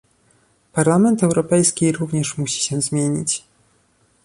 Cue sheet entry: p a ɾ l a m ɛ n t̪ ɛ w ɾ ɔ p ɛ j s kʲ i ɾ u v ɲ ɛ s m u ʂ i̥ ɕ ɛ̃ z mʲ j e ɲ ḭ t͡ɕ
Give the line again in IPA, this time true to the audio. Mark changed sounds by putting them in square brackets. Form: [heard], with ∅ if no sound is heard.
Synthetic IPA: p a ɾ l a m ɛ n t̪ ɛ w ɾ ɔ p ɛ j s kʲ i ɾ u v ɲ ɛ [ʂ] m u [ɕ] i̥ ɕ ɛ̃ z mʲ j e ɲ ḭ t͡ɕ